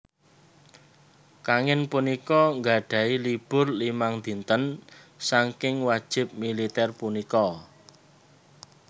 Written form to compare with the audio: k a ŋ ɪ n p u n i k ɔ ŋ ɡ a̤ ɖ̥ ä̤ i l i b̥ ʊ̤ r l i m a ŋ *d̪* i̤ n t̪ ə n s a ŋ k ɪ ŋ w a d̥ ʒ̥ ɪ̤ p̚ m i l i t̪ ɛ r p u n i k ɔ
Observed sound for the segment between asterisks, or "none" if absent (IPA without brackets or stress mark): d̪